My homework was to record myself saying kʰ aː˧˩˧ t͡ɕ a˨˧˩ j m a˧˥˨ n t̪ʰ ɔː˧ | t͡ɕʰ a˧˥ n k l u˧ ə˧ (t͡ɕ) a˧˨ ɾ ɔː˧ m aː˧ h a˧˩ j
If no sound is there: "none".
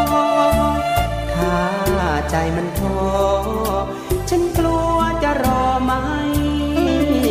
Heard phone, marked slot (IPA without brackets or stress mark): t͡ɕ